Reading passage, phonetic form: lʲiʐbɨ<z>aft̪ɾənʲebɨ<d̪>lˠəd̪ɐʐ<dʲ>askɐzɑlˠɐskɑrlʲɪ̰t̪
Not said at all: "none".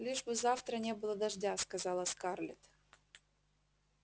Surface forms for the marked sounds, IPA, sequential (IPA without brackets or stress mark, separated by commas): z, none, dʲ